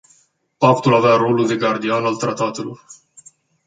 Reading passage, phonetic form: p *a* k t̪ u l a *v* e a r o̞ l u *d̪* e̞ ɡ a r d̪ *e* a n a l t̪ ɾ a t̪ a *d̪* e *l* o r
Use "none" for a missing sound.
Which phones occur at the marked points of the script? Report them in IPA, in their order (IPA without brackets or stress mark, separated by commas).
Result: a, v, d̪, i, t̪, l